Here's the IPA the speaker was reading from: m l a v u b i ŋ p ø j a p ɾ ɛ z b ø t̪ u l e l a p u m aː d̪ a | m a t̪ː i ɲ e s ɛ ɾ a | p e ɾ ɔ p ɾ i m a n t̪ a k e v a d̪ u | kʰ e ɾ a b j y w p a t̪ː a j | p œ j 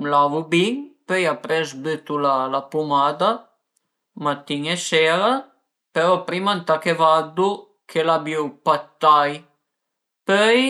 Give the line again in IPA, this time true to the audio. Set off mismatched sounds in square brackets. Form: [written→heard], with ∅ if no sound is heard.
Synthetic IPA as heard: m l a v u b i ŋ p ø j a p ɾ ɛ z b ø t̪ u l [e→a] l a p u m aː d̪ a | m a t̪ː i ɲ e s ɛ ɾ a | p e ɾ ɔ p ɾ i m a n t̪ a k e v a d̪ u | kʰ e [ɾ→l] a b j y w p a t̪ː a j | p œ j